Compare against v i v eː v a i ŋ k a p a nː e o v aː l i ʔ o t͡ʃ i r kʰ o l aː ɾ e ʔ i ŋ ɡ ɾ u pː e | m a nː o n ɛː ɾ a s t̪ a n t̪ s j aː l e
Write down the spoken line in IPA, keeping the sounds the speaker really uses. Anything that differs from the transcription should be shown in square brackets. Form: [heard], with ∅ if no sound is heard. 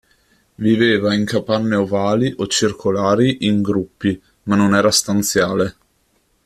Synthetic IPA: v i v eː v a i ŋ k a p a nː e o v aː l i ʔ o t͡ʃ i r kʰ o l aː ɾ [i] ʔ i ŋ ɡ ɾ u pː [i] | m a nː o n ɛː ɾ a s t̪ a n t̪ s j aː l e